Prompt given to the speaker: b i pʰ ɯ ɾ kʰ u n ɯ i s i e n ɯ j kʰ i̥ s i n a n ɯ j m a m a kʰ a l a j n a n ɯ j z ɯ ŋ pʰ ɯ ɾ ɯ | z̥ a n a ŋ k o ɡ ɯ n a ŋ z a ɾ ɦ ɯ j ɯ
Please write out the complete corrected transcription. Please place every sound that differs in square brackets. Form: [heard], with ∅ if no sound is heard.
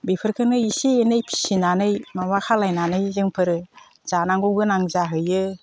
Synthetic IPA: b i pʰ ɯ ɾ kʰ [ɯ] n ɯ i s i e n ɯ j [pʰ] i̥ s i n a n ɯ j m a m a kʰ a l a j n a n ɯ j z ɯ ŋ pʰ ɯ ɾ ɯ | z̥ a n a ŋ [ɡ] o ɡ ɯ n a ŋ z a [∅] ɦ ɯ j ɯ